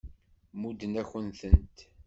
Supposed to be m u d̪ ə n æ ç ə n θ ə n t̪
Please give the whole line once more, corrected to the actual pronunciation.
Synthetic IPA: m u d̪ ə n æ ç ə n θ ə n t̪